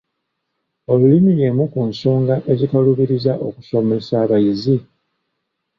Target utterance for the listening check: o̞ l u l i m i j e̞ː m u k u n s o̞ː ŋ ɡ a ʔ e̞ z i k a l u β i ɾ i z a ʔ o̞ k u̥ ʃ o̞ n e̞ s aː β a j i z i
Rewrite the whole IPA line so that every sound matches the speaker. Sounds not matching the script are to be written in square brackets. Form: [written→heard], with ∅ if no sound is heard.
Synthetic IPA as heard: o̞ l u l i m i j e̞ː m u k u n s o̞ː ŋ ɡ a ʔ e̞ z i k a l u β i ɾ i z a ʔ o̞ k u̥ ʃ o̞ [n→m] e̞ s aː β a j i z i